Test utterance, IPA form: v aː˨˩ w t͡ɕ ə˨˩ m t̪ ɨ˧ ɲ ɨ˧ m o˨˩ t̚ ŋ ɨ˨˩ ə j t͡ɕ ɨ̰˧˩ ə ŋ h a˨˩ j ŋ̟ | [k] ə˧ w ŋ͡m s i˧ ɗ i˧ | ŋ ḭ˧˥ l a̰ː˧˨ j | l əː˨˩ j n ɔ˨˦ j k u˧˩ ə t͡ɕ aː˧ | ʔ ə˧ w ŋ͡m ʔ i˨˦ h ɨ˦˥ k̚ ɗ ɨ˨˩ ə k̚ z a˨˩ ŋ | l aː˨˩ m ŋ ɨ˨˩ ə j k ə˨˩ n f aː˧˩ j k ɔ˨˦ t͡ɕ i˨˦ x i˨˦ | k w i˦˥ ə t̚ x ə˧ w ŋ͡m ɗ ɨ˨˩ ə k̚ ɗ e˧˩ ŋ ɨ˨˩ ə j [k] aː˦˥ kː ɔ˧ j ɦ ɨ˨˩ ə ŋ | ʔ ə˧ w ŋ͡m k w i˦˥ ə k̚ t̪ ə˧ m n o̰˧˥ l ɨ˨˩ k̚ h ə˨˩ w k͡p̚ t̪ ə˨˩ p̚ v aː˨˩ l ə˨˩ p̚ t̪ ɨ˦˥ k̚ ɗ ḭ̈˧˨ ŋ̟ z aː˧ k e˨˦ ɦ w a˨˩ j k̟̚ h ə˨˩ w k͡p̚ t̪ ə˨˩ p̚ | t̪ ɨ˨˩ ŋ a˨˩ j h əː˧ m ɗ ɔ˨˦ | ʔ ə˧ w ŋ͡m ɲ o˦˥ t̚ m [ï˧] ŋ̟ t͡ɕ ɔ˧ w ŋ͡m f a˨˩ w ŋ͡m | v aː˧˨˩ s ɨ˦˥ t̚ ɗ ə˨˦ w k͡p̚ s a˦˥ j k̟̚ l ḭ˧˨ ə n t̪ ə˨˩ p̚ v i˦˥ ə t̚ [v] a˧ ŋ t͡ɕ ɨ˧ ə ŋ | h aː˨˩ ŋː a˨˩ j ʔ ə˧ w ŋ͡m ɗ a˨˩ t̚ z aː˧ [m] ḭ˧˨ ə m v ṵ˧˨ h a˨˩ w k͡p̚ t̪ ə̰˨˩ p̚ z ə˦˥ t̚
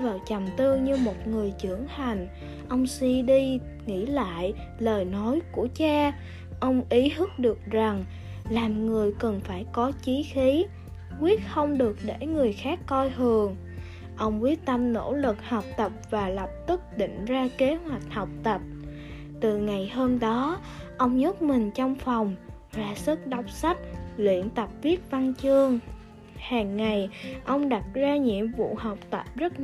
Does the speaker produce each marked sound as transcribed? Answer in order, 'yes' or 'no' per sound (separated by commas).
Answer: no, no, no, yes, no